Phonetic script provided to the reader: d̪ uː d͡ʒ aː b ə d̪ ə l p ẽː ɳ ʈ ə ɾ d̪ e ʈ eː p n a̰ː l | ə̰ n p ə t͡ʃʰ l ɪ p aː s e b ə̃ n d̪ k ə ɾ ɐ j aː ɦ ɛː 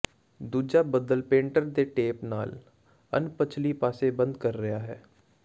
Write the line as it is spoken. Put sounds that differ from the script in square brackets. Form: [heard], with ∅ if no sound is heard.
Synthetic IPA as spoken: d̪ uː d͡ʒ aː b ə d̪ ə l p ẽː ɳ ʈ ə ɾ d̪ e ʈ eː p n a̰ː l | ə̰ n p ə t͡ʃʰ l [i] p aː s e b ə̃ n d̪ k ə [ɾː] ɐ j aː ɦ ɛː